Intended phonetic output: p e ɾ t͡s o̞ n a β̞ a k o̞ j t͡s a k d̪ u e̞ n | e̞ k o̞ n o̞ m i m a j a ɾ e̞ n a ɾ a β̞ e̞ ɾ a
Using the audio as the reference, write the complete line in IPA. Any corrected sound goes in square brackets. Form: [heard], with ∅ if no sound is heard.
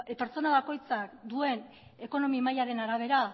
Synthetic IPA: p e ɾ t͡s o̞ n a β̞ a k o̞ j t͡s a k d̪ u e̞ n | e̞ k o̞ n o̞ m i m a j a ɾ e̞ n a ɾ a β̞ e̞ ɾ a